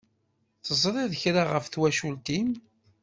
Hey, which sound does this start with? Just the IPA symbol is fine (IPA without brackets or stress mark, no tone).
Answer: θ